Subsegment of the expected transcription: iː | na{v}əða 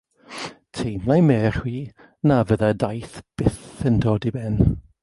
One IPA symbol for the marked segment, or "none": v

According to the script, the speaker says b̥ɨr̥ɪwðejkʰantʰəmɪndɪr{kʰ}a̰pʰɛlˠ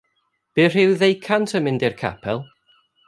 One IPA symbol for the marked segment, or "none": kʰ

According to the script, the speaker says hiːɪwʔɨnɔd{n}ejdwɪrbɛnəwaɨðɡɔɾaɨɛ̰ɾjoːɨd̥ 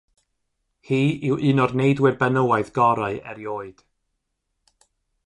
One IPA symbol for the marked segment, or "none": n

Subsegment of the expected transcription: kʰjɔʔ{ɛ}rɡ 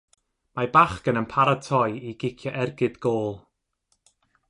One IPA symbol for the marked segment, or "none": ɛ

